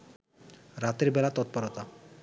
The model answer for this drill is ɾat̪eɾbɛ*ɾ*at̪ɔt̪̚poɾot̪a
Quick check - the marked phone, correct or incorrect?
incorrect